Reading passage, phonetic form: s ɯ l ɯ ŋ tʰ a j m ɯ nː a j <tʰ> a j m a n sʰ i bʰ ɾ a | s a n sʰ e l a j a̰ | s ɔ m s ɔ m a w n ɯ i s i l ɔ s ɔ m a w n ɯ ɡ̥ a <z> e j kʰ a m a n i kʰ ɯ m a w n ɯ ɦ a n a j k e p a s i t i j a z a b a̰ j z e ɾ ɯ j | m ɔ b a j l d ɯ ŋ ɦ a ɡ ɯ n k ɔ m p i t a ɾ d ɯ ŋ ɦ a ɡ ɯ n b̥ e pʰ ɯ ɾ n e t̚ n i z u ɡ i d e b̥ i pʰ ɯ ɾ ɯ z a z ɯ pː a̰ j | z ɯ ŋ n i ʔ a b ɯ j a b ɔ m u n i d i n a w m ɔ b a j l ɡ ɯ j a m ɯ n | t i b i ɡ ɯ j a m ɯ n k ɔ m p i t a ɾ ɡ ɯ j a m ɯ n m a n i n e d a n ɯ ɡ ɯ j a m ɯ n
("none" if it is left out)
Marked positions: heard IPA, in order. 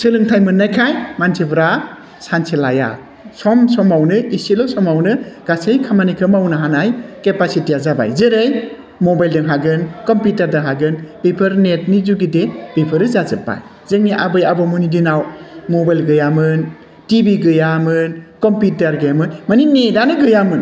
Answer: kʰ, s

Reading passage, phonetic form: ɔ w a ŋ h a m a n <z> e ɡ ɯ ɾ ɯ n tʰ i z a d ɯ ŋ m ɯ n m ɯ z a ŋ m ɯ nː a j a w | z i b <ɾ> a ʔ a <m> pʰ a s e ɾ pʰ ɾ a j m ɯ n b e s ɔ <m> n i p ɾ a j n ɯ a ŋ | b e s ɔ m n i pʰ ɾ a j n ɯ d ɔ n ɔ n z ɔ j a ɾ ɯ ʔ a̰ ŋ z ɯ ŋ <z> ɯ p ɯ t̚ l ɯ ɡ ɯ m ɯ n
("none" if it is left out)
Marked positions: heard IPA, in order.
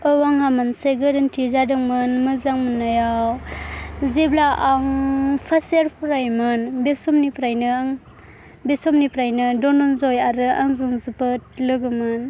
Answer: s, l, ŋ, m, z

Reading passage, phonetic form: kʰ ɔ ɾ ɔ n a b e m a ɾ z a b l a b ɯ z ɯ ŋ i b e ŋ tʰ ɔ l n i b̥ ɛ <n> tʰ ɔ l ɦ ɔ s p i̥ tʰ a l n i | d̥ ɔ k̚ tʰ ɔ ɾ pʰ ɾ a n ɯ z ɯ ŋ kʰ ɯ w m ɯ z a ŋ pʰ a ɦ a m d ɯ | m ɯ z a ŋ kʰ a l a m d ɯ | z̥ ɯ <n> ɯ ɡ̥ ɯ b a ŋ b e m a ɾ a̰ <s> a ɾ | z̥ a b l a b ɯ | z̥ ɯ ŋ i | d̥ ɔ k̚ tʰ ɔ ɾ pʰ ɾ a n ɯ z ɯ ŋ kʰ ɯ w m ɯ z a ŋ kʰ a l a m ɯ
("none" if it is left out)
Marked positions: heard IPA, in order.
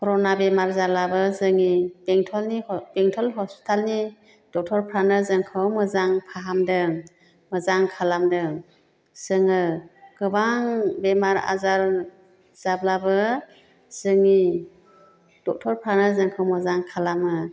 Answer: ŋ, ŋ, z

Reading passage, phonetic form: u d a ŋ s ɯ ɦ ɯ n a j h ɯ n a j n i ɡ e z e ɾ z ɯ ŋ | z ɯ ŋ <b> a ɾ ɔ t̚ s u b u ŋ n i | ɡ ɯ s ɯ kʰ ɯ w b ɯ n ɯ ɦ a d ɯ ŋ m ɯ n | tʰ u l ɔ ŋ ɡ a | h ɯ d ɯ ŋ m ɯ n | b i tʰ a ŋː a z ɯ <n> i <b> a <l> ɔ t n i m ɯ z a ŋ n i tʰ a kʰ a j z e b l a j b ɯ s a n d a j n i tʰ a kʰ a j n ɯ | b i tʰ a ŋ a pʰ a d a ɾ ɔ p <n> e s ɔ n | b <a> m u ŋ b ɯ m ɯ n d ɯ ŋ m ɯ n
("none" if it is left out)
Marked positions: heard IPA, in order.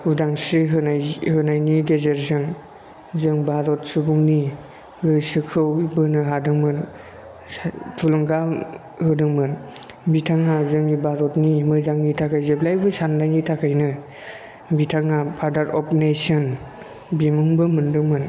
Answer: b, ŋ, b, ɾ, n, i

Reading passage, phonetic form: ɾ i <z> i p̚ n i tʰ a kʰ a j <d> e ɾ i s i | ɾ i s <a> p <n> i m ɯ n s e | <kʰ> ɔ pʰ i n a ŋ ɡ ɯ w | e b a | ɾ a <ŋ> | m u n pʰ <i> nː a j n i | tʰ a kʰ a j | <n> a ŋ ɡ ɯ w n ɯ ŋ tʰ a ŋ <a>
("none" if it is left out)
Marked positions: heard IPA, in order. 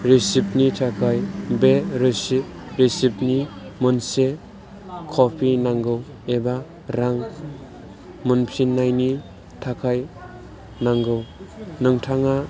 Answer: s, b, i, n, kʰ, ŋ, i, n, a

